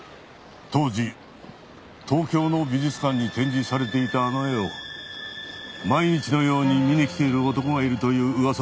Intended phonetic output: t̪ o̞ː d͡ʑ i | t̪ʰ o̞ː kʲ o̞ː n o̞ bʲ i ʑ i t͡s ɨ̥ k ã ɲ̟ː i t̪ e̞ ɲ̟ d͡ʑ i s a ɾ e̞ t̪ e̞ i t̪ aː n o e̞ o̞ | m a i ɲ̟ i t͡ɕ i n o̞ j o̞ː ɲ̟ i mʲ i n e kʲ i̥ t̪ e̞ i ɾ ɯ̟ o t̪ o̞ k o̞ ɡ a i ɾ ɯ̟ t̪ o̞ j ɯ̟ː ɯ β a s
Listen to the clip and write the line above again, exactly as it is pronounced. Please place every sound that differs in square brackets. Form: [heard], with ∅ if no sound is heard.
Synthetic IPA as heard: t̪ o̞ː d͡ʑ i | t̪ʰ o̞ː kʲ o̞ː n o̞ bʲ i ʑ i t͡s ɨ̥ k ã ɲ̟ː i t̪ [ẽ̞] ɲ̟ d͡ʑ i s a ɾ e̞ t̪ e̞ i t̪ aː n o e̞ o̞ | m a i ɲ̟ i t͡ɕ i n o̞ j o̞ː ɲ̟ i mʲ i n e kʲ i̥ t̪ e̞ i ɾ ɯ̟ o t̪ o̞ k o̞ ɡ a i ɾ ɯ̟ t̪ o̞ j ɯ̟ː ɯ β a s

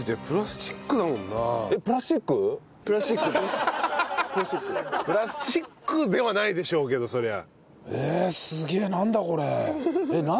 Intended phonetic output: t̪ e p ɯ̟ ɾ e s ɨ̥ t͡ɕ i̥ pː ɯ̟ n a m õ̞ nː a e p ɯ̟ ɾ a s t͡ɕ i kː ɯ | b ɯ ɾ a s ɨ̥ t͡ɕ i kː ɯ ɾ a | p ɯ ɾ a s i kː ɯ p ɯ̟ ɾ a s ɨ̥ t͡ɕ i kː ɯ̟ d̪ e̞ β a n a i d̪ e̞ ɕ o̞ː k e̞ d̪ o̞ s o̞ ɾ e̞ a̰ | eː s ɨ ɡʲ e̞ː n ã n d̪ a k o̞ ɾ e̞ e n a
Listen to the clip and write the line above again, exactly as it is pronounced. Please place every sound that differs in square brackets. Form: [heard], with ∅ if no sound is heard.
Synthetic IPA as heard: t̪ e p ɯ̟ ɾ [a] s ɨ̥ t͡ɕ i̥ [kː] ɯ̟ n a m õ̞ nː a e p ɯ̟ ɾ a s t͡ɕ i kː ɯ | [p] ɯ ɾ a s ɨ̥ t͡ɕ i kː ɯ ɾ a | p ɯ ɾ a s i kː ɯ p ɯ̟ ɾ a s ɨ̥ t͡ɕ i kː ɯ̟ d̪ e̞ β a n a i d̪ e̞ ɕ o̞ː k e̞ d̪ o̞ s o̞ ɾ e̞ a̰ | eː s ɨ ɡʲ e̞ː n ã n d̪ a k o̞ ɾ e̞ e n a

